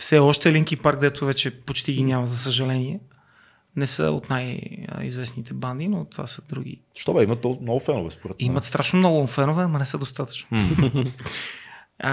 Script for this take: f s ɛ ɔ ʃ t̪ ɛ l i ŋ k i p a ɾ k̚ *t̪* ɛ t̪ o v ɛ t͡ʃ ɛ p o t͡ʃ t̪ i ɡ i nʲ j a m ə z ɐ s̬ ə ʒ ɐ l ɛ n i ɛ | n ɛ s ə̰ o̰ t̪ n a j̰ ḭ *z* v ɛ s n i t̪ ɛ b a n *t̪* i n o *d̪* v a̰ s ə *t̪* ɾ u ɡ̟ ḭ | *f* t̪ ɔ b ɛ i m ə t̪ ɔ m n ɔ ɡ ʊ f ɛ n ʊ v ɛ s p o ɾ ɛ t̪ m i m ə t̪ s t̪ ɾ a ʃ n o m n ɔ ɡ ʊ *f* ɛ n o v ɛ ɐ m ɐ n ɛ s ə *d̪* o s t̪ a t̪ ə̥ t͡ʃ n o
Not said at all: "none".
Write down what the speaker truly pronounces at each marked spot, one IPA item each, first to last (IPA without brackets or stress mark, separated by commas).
d̪, z, d̪, t̪, d̪, ʃ, f, d̪